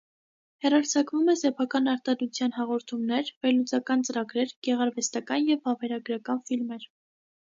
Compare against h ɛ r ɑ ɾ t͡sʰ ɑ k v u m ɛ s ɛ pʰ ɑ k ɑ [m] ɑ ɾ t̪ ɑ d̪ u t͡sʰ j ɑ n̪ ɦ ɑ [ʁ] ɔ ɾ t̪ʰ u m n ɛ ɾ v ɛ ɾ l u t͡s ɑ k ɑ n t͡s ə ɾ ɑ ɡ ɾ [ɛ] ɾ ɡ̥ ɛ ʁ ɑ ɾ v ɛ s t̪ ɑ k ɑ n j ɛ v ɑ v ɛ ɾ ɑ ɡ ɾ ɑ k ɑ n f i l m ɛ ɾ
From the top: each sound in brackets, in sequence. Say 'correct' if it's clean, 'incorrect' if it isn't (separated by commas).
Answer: incorrect, correct, correct